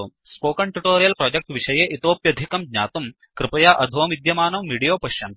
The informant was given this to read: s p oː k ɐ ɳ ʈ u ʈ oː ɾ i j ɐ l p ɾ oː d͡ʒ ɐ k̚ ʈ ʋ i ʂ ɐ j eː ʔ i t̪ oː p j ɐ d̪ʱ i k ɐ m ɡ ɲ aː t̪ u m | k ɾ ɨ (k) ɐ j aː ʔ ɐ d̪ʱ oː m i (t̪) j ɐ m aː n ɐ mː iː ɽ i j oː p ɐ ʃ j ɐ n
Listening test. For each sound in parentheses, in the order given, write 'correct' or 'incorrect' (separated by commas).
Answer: incorrect, incorrect